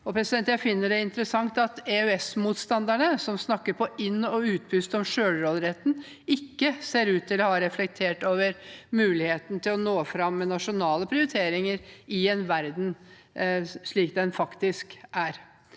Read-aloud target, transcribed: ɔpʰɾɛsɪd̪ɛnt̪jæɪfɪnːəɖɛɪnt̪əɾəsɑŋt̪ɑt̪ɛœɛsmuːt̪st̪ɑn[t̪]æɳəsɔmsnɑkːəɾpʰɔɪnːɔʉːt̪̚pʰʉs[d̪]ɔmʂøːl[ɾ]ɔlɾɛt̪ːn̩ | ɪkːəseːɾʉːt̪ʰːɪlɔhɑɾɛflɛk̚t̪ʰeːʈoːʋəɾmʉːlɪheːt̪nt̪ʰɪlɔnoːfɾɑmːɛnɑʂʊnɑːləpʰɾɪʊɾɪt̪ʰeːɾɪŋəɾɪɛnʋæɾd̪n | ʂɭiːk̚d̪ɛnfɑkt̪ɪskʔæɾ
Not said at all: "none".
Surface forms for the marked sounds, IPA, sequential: d̪, t̪, ɾ

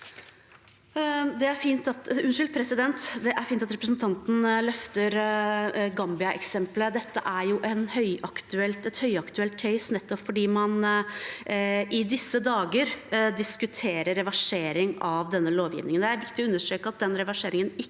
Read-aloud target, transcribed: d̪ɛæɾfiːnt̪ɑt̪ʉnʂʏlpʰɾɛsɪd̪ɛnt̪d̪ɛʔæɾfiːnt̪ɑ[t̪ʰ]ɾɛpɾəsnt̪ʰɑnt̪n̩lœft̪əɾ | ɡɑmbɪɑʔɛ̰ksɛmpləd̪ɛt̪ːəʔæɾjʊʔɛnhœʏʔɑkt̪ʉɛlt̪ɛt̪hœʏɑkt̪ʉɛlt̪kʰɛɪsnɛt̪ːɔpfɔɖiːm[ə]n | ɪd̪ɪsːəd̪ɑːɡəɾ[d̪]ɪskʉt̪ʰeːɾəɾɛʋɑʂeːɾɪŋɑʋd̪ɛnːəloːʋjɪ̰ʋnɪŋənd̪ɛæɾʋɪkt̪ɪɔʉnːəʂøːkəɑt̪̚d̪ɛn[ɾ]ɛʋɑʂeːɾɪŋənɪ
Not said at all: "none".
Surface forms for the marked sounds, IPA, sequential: t̪, ɑ, d̪, ɾ

